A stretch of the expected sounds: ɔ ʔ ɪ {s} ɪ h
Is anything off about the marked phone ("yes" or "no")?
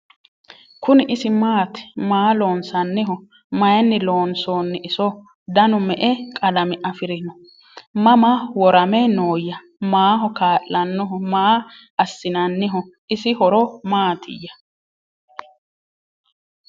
no